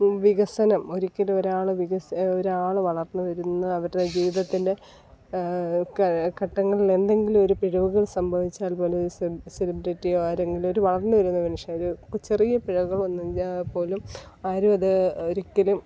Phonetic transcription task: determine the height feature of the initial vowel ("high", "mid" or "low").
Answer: high